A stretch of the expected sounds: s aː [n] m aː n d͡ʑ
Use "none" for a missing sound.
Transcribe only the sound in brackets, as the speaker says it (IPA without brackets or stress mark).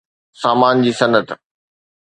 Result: none